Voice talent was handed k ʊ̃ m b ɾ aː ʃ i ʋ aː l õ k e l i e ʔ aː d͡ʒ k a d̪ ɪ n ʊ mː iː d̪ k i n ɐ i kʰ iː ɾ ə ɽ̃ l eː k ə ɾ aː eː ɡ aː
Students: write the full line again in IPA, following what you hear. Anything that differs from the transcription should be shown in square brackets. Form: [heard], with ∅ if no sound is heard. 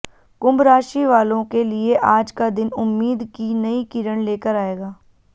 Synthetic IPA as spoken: k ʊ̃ m b ɾ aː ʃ i ʋ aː l õ k e l i e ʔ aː d͡ʒ k a d̪ ɪ n ʊ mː iː d̪ k i n ɐ i [k] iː ɾ ə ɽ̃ l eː k ə ɾ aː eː ɡ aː